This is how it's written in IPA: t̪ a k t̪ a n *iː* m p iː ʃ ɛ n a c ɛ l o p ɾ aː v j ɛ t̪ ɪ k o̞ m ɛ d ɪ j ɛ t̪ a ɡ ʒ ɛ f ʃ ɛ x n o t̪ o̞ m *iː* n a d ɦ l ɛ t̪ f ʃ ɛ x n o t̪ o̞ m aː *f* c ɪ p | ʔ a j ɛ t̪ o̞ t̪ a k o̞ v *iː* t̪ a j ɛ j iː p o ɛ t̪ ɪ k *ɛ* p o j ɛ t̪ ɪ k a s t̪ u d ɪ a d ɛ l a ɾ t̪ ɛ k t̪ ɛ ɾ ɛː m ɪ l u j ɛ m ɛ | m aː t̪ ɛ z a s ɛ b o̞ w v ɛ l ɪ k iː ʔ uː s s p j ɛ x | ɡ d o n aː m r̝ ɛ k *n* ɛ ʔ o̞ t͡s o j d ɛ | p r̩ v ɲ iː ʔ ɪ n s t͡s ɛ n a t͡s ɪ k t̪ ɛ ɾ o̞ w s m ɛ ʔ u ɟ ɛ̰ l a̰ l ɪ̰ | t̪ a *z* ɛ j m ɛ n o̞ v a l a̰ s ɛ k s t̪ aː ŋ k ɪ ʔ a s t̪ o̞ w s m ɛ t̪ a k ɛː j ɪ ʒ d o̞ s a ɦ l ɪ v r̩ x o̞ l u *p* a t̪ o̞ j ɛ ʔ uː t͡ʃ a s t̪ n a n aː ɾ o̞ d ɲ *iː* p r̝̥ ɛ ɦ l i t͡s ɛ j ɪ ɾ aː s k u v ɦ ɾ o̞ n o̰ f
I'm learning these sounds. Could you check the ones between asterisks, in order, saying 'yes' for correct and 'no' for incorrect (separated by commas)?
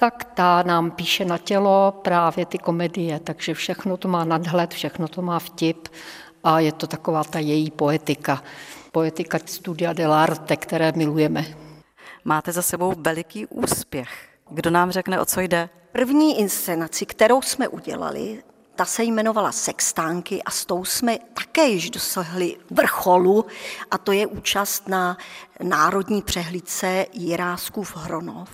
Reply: no, no, yes, no, no, yes, no, no, yes